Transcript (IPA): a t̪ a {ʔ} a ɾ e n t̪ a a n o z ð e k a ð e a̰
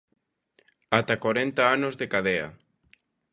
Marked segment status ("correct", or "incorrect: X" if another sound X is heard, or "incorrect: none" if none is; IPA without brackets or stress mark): incorrect: k